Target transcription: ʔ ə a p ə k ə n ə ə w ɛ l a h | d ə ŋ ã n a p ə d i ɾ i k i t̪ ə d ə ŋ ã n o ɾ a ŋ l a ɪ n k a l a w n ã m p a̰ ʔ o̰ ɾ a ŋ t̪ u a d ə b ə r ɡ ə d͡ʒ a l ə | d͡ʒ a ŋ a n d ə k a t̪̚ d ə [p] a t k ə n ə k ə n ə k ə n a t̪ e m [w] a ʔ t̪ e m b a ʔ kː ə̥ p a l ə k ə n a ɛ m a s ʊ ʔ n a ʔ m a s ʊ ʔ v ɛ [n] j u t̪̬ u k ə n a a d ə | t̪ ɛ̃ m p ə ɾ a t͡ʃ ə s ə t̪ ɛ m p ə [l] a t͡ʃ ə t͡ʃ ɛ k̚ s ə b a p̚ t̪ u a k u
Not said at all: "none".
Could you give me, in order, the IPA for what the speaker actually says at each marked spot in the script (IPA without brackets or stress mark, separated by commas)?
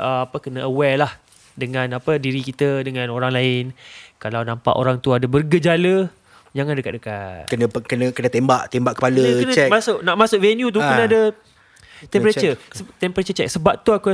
k, b, n, ɾ